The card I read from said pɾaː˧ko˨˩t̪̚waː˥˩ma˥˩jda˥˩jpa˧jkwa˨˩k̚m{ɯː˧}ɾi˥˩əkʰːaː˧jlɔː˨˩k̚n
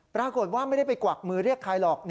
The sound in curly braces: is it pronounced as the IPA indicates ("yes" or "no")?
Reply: yes